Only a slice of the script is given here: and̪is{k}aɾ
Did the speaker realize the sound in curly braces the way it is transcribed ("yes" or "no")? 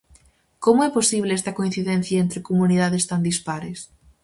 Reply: no